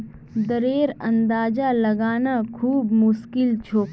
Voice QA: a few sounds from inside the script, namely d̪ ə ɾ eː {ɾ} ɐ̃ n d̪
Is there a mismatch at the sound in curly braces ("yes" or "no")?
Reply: no